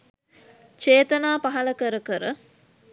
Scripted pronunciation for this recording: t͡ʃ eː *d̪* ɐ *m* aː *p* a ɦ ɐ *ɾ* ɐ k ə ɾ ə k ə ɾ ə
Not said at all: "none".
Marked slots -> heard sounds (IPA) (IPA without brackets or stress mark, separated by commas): t̪, n, p, l